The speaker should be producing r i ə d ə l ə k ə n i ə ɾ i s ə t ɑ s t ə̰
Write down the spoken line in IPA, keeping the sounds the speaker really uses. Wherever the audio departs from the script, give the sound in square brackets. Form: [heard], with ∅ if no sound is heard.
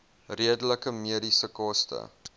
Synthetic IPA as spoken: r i ə d ə l ə k ə [m] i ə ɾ i s ə [k] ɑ s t ə̰

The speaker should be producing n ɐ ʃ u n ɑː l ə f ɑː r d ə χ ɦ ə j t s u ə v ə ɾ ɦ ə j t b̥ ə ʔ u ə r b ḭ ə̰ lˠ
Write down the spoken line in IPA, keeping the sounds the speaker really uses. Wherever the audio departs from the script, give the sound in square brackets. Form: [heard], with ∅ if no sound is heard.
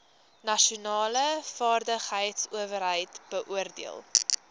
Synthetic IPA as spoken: n ɐ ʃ u n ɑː l ə f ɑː r d ə χ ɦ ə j t s u ə v ə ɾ ɦ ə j t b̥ ə ʔ u ə r [d] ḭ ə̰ lˠ

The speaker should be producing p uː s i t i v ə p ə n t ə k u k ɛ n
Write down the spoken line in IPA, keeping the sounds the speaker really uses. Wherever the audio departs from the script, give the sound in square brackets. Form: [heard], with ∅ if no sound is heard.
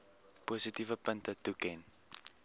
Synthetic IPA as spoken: p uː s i t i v ə p ə n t ə [t] u k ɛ n

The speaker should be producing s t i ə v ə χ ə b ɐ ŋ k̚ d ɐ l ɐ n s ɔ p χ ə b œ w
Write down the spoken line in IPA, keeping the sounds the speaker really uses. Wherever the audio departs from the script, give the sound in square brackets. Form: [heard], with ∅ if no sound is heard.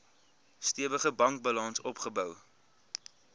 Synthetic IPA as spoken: s t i ə v ə χ ə b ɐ ŋ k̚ [b] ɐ l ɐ n s ɔ p χ ə b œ w

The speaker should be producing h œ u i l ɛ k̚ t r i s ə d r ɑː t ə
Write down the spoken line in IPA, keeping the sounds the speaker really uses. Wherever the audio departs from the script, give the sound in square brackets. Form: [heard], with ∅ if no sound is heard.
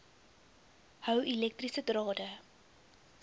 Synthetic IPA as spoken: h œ [w] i l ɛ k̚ t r i s ə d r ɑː [d] ə

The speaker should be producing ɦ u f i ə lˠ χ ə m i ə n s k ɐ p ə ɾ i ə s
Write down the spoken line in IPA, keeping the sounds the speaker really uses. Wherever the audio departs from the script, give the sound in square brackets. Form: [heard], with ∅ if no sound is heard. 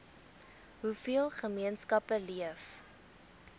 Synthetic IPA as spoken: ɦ u f i ə lˠ χ ə m i ə n s k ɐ p ə [l] i ə [f]

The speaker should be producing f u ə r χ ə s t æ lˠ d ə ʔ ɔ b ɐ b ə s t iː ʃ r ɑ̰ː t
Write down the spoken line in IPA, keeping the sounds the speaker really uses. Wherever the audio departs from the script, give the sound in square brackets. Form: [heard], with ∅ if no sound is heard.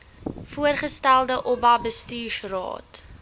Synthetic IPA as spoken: f u ə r χ ə s t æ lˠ d ə ʔ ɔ b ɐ b ə s t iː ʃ r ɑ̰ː t

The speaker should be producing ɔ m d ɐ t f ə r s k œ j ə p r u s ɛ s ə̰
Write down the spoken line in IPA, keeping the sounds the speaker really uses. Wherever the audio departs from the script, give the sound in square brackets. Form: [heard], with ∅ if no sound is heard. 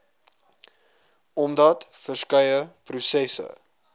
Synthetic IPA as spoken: ɔ m d ɐ t f ə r s k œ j ə p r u s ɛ s ə̰

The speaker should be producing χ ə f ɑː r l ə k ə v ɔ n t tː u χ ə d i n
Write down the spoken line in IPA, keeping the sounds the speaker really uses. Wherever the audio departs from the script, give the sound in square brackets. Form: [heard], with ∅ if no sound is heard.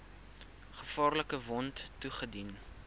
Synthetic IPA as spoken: χ ə f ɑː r l ə k ə v ɔ n t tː u χ ə d i n

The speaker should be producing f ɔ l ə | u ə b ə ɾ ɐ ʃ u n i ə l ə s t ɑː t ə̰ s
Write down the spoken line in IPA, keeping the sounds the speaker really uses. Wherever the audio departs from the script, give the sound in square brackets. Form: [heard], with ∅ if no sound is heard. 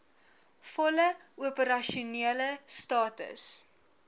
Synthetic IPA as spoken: f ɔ l ə | u ə [p] ə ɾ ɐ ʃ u n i ə l ə s t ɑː t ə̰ s

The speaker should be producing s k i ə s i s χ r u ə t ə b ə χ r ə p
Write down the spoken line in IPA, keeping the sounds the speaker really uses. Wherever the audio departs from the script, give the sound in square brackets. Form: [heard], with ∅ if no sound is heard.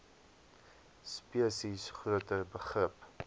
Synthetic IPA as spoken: s [p] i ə s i s χ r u ə t ə b ə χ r ə p

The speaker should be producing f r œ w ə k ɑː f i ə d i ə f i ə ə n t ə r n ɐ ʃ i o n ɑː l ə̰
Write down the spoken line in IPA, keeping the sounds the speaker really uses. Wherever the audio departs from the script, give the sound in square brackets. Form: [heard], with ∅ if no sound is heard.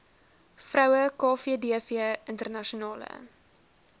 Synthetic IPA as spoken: f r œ w ə k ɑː f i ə d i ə f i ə ə n t ə r n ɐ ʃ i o n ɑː l ə̰

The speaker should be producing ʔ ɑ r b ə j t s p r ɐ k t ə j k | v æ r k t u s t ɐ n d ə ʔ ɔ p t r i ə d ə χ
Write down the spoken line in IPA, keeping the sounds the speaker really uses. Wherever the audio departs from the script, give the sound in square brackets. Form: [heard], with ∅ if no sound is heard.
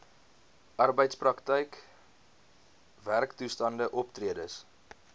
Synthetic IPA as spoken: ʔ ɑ r b ə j t s p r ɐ k t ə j k | v æ r k t u s t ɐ n d ə ʔ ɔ p t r i ə d ə [s]

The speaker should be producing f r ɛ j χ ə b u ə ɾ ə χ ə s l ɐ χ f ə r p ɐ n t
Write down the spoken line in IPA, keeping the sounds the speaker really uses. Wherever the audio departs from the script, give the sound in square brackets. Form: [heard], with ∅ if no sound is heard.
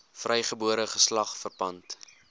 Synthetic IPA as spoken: f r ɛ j χ ə b u ə ɾ ə χ ə s l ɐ χ f ə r p ɐ n t

